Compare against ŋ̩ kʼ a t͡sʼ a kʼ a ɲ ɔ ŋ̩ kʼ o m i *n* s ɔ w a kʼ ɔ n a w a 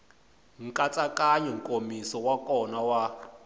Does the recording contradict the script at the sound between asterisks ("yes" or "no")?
yes